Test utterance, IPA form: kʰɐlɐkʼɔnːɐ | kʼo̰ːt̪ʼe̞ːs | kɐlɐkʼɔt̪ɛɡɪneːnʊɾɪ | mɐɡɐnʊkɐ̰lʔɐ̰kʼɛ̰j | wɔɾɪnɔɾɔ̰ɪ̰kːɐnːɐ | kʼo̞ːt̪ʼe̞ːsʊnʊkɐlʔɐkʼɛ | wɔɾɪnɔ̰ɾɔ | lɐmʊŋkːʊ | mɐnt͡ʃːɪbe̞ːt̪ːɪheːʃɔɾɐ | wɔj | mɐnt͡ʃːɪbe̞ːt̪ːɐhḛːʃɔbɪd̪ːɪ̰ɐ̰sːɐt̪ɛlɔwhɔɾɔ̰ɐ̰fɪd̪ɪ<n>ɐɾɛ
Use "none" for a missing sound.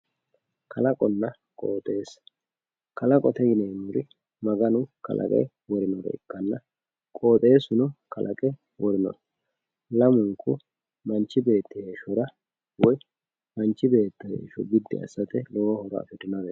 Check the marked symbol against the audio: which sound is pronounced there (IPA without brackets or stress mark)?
n